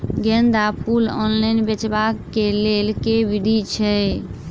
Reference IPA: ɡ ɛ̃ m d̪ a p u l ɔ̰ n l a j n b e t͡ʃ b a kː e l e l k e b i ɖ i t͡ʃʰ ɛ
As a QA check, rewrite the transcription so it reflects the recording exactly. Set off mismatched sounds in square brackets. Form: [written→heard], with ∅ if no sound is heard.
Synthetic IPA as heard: ɡ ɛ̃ [m→n] d̪ a p u l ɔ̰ n l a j n b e t͡ʃ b a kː e l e l k e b i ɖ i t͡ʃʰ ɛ